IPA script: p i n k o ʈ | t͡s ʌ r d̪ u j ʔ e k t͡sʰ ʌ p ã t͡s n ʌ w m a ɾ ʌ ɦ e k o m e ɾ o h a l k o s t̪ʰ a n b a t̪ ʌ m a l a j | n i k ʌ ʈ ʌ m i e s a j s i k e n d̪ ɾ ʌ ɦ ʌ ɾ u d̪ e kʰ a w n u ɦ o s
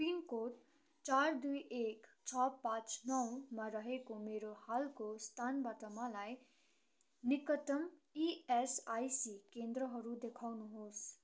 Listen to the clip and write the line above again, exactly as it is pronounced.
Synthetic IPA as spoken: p i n k o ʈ | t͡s a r d̪ u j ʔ e k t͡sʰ ʌ p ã t͡s n ʌ w m a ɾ ʌ ɦ e k o m e ɾ o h a l k o s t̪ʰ a n b a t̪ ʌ m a l a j | n i k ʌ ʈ ʌ m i e s a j s i k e n d̪ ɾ ʌ ɦ ʌ ɾ u d̪ e kʰ a w n u ɦ o s